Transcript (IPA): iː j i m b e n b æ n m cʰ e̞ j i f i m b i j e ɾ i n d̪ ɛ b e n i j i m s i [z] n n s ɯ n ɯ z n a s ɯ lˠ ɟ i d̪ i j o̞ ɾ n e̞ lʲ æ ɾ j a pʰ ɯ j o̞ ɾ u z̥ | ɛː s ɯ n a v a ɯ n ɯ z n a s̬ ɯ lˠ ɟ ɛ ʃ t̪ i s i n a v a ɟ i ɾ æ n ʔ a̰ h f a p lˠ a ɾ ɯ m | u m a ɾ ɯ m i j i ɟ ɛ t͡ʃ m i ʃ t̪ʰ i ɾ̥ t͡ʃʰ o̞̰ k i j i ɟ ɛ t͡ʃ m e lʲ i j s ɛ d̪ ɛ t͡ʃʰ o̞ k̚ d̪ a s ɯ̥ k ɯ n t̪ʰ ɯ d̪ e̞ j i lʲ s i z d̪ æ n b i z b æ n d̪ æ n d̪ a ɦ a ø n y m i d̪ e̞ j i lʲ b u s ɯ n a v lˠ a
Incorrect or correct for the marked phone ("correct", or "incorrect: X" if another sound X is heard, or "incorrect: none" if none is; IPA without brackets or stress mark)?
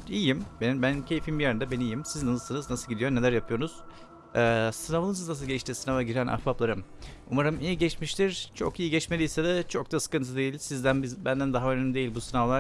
correct